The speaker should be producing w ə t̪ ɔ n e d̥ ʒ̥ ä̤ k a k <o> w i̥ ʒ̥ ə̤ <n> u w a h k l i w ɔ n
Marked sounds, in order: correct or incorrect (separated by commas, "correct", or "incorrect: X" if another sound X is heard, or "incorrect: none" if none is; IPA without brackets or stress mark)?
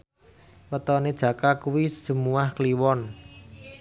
incorrect: u, incorrect: m